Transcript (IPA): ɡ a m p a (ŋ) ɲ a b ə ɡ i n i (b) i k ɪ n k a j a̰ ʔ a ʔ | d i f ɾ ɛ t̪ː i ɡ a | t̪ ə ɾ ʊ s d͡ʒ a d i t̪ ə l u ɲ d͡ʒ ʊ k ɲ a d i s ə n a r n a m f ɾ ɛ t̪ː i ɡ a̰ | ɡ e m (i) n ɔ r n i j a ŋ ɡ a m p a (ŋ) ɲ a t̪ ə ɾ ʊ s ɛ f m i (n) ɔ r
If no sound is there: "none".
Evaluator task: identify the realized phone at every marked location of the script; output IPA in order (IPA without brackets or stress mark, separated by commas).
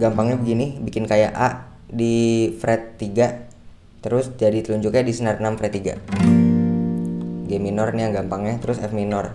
ŋ, b, i, ŋ, n